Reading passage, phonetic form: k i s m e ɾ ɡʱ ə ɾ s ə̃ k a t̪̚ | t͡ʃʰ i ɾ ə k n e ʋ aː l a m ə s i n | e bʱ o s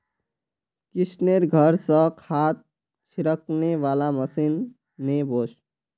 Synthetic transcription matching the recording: k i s n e ɾ ɡʱ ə ɾ s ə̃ kʰ a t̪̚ | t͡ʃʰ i ɾ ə k n e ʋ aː l a m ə s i nː | e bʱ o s

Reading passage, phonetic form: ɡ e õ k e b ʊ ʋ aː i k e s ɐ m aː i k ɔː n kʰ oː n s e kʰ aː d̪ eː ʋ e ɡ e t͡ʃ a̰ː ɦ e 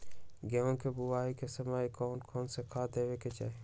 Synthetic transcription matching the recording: ɡ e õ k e b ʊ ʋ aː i k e s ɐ m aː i k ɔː n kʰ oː n s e kʰ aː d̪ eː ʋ e k e t͡ʃ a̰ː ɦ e

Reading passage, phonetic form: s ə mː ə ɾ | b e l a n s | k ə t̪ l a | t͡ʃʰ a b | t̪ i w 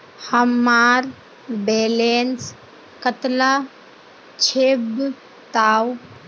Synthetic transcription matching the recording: h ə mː a ɾ | b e l e n s | k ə t̪ l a | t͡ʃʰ e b | t̪ a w

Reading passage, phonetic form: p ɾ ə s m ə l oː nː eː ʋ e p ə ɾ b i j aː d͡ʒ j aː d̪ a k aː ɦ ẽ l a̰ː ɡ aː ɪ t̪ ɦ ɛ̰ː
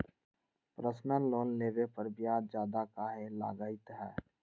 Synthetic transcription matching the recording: p ɾ ə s n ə l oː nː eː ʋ e p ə ɾ b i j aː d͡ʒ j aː d̪ a k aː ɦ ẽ l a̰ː ɡ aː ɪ t̪ ɦ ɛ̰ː

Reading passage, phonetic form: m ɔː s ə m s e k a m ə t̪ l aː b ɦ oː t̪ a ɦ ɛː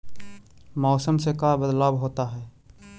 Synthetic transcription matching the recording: m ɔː s ə m s e k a b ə d̪ l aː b ɦ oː t̪ a ɦ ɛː

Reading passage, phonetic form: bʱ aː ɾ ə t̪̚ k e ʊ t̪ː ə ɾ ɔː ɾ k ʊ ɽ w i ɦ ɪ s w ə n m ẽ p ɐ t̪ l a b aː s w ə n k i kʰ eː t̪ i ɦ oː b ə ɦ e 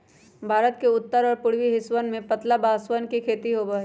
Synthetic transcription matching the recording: bʱ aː ɾ ə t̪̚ k e ʊ t̪ː ə ɾ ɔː ɾ p ʊ ɽ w i ɦ ɪ s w ə n m ẽ p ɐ t̪ l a b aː s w ə n k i kʰ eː t̪ i ɦ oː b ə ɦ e

